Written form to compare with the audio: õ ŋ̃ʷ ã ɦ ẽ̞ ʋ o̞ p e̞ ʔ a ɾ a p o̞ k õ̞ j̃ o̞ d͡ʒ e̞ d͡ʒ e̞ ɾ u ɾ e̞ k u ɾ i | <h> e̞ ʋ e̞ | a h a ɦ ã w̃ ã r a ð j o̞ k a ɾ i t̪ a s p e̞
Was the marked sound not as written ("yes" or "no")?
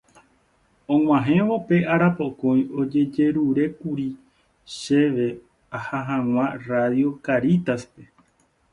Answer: yes